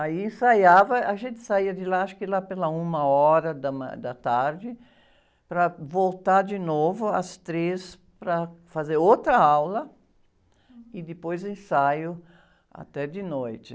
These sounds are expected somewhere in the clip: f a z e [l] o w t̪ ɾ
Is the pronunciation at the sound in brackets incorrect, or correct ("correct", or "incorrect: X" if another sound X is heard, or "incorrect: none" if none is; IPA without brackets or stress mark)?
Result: incorrect: ɾ